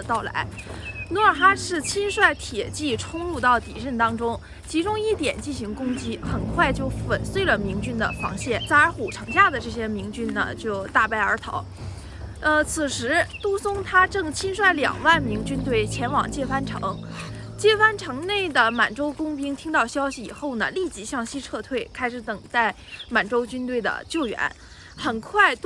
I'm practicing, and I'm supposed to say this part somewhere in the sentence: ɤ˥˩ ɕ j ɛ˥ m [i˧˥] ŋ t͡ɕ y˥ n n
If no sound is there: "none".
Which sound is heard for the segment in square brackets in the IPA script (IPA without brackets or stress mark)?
i˧˥